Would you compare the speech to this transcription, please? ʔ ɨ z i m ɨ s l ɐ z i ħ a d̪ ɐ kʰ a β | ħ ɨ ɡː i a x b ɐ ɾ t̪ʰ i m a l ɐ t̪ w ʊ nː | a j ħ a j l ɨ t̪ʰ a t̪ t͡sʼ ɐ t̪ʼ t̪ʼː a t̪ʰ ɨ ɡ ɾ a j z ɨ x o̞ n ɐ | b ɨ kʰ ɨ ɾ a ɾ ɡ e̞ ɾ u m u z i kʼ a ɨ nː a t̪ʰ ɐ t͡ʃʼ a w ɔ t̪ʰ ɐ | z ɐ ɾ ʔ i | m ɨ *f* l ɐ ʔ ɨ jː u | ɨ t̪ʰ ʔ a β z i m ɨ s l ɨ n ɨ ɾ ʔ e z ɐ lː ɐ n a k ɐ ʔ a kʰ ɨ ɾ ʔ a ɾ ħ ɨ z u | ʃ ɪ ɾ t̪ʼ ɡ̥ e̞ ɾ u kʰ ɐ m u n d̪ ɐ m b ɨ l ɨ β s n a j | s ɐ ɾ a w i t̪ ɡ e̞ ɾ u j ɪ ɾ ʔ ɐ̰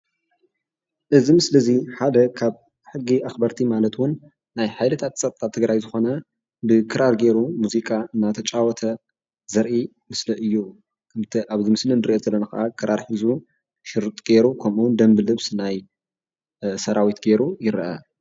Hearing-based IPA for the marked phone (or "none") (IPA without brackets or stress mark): s